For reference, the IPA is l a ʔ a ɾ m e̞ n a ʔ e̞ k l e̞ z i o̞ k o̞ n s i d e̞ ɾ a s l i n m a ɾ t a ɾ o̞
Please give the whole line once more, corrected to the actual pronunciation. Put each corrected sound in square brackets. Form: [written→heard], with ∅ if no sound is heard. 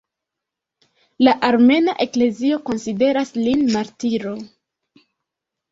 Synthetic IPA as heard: l a ʔ a ɾ m e̞ n a ʔ e̞ k l e̞ z i o̞ k o̞ n s i d e̞ ɾ a s l i n m a ɾ t [a→i] ɾ o̞